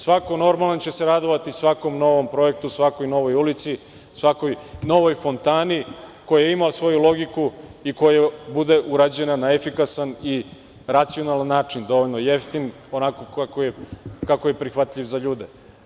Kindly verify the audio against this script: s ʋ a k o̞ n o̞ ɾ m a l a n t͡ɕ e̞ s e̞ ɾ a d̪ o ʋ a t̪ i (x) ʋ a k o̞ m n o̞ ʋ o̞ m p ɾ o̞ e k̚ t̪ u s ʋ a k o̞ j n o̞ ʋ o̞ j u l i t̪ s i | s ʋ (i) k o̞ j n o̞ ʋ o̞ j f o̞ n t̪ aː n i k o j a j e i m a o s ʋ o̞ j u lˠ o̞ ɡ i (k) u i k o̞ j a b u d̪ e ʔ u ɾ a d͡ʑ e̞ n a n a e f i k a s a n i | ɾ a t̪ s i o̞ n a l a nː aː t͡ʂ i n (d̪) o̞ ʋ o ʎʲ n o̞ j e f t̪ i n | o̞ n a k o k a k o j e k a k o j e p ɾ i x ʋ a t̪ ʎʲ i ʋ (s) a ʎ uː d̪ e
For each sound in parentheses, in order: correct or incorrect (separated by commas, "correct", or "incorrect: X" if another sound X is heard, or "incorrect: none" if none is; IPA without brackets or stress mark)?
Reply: incorrect: s, incorrect: a, correct, correct, incorrect: z